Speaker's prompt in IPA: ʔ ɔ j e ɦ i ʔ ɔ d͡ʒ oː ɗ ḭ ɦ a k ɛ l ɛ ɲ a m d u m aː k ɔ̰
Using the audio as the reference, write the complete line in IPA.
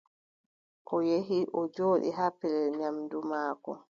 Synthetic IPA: ʔ ɔ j e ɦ i ʔ ɔ d͡ʒ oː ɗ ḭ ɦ a p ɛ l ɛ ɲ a m d u m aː k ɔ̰